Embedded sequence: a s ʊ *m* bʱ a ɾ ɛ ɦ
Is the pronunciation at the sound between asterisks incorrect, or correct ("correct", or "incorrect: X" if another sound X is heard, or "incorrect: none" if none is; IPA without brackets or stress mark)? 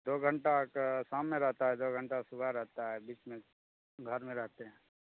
incorrect: none